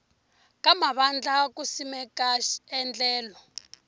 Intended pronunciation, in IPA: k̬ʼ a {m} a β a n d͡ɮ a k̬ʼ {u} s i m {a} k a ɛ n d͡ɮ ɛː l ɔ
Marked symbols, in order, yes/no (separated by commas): yes, yes, no